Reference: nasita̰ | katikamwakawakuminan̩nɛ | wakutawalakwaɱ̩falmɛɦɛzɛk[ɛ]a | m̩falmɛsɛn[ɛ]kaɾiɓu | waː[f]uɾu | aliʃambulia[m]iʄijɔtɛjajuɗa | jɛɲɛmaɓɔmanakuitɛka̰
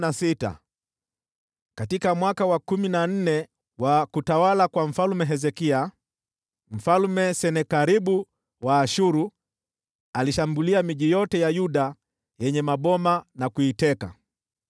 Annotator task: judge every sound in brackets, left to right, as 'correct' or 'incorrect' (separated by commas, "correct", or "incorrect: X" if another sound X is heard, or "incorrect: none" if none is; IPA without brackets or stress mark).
incorrect: i, correct, incorrect: ʃ, correct